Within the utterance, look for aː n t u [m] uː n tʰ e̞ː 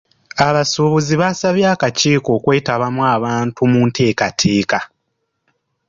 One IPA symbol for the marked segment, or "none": m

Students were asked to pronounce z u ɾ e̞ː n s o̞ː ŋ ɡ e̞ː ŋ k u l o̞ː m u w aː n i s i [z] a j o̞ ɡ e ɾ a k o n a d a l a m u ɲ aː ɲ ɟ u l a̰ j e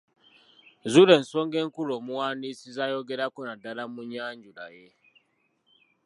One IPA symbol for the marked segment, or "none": z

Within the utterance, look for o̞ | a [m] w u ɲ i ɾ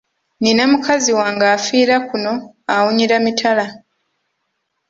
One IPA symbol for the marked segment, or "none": none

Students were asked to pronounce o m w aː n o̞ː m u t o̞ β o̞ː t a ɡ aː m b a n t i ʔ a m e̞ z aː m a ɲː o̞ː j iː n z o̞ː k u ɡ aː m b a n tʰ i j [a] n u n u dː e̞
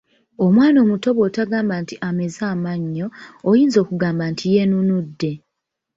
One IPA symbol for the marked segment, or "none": e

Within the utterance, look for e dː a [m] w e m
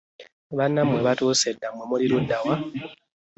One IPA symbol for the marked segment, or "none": m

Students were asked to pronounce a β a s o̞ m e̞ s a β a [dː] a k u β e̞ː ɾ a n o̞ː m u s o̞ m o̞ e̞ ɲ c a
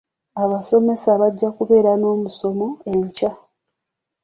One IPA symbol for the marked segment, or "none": ɟː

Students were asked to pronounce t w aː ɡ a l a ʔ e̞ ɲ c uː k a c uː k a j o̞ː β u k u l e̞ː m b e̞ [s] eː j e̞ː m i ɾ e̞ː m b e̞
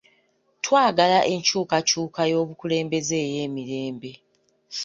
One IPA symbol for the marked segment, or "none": z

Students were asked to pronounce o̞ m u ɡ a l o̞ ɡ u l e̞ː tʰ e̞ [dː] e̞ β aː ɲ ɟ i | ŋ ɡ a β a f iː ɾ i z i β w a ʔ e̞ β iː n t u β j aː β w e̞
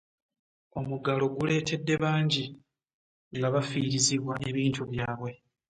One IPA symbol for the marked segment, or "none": dː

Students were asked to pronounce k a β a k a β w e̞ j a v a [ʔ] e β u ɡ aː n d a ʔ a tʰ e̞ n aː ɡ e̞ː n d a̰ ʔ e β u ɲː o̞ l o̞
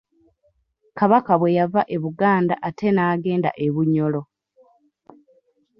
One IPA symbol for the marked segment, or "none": ʔ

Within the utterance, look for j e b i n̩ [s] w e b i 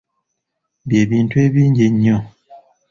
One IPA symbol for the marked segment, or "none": t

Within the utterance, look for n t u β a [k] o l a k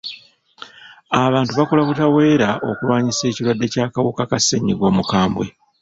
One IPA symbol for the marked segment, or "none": k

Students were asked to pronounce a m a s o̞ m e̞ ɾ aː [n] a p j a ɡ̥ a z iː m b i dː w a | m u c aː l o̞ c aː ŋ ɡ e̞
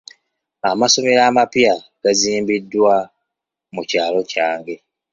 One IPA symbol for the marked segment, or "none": m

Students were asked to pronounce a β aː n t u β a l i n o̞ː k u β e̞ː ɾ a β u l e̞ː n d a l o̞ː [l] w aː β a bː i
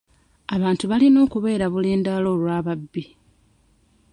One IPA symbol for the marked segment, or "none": l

